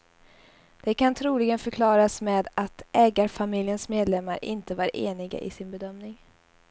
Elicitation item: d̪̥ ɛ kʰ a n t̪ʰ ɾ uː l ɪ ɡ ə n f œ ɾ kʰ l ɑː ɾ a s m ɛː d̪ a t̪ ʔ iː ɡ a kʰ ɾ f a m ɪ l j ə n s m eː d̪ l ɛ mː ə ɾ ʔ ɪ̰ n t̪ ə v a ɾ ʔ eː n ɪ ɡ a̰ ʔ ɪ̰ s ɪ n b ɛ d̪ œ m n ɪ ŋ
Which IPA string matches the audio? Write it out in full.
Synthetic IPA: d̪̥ ɛ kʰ a n t̪ʰ ɾ uː l ɪ ɡ ə n f œ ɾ kʰ l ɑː ɾ a s m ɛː d̪ a t̪ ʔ ɛː ɡ a ɾ f a m ɪ l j ə n s m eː d̪ l ɛ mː a ɾ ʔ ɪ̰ n t̪ ə v a ɾ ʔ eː n ɪ ɡ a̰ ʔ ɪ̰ s ɪ n b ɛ d̪ œ m n ɪ ŋ